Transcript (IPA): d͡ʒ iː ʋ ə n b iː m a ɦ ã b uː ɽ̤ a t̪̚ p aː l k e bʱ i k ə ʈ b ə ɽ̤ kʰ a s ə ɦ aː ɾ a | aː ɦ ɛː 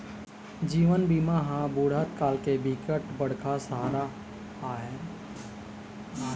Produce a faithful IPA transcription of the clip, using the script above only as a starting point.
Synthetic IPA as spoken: d͡ʒ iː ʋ ə n b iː m a ɦ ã b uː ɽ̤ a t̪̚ k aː l k e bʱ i k ə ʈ b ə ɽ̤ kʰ a s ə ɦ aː ɾ a | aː ɦ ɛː